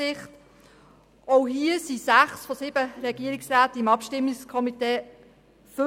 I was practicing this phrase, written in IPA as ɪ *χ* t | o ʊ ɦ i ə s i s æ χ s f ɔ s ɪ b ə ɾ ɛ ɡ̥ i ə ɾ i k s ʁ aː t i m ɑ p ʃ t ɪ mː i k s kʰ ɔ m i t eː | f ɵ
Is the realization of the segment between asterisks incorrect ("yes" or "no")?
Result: no